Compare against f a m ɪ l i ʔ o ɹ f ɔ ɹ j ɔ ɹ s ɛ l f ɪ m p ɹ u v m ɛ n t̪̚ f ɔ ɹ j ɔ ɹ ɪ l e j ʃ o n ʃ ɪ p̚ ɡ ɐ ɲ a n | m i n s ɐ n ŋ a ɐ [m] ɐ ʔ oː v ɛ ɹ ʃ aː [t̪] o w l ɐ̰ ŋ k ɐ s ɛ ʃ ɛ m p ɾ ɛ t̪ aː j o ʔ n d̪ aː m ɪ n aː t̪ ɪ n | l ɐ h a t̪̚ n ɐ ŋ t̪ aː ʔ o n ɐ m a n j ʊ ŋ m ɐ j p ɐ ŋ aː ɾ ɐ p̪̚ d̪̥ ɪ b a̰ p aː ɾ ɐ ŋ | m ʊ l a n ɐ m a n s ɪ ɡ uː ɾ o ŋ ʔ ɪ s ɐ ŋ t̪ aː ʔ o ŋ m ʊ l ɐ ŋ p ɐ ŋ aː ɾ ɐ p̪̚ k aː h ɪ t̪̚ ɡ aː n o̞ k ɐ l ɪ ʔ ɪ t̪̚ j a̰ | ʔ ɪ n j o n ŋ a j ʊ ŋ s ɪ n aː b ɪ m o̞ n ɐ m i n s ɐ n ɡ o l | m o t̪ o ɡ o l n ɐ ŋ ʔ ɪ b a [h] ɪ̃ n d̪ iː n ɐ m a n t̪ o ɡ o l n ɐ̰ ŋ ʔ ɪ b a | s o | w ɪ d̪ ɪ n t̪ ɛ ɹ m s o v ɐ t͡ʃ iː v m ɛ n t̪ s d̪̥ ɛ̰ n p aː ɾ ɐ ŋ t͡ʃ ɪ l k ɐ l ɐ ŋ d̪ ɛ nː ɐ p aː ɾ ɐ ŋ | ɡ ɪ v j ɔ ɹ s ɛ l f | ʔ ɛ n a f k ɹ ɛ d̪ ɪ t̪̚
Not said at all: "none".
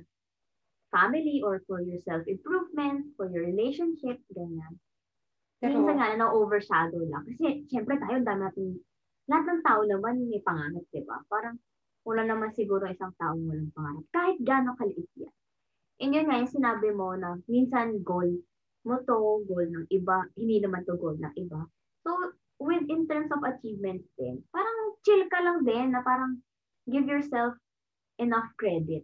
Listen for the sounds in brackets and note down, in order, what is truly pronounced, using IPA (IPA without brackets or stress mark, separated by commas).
n, d̪, h